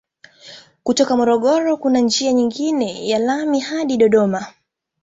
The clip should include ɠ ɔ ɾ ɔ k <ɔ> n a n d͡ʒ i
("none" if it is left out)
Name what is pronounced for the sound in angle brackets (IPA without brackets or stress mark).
u